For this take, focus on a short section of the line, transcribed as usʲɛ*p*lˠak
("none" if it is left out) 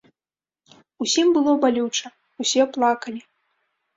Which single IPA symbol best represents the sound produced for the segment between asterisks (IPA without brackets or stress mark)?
p